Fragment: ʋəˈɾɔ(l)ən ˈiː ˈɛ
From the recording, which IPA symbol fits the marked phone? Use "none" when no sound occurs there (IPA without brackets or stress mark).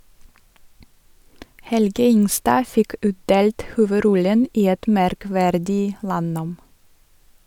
l